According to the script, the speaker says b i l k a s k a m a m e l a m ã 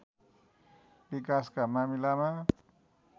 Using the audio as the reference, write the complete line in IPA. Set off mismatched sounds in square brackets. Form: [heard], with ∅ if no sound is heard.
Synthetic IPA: b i [∅] k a s k a m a m [i] l a m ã